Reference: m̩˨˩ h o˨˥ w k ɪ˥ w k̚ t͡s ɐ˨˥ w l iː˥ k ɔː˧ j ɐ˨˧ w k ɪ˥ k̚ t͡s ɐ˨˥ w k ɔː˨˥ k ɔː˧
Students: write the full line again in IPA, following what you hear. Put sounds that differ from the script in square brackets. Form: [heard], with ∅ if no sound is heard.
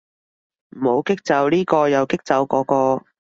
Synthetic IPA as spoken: m̩˨˩ h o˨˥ w k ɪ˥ [∅] k̚ t͡s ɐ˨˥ w l iː˥ k ɔː˧ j ɐ˨˧ w k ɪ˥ k̚ t͡s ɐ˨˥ w k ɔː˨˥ k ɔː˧